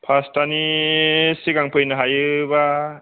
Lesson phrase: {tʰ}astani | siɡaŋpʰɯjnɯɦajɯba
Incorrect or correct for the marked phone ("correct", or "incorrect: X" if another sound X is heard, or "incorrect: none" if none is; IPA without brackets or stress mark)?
incorrect: pʰ